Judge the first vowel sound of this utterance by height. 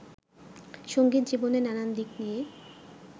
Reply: mid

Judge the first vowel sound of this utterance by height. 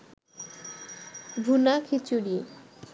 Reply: high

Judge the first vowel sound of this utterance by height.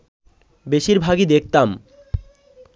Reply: mid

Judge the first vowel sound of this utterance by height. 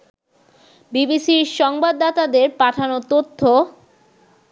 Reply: high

